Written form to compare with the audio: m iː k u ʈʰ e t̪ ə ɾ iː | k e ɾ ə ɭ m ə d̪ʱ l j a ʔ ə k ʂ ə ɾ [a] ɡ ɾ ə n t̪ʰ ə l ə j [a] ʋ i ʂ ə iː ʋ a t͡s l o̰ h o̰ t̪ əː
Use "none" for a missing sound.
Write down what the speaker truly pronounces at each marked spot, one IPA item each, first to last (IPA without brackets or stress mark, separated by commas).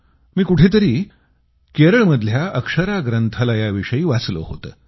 a, a